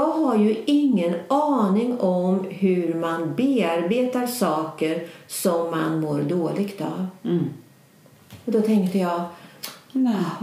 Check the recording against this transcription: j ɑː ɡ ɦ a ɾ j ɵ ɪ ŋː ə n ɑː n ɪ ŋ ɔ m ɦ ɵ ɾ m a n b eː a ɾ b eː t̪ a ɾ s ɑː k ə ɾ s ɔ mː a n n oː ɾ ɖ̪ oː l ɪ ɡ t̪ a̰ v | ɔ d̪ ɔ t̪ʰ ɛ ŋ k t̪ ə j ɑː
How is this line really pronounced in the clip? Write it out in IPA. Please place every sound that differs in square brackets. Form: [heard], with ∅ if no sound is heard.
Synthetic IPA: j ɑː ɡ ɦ a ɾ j ɵ ɪ ŋː ə n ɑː n ɪ ŋ ɔ m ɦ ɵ ɾ m a n b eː a ɾ b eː t̪ a ɾ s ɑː k ə ɾ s ɔ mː a n [m] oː ɾ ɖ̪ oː l ɪ ɡ t̪ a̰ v | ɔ d̪ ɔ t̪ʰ ɛ ŋ k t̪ ə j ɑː